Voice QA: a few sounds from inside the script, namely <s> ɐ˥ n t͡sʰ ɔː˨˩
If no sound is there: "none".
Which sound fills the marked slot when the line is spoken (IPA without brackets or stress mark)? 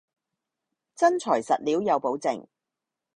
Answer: t͡s